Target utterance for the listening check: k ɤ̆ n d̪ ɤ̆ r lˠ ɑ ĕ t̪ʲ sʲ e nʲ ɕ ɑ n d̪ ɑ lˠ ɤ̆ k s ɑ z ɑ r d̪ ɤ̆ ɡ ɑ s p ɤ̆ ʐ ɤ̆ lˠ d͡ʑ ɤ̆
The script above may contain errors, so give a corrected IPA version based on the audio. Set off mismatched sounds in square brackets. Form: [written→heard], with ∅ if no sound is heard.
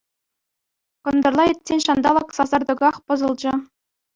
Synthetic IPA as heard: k ɤ̆ n d̪ ɤ̆ r lˠ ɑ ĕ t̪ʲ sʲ e nʲ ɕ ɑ n d̪ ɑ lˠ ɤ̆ k s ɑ z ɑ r d̪ ɤ̆ ɡ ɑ [s→χ] p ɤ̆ [ʐ→z] ɤ̆ lˠ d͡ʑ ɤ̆